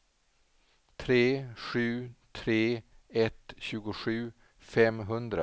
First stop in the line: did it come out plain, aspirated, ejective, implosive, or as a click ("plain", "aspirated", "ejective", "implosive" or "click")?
aspirated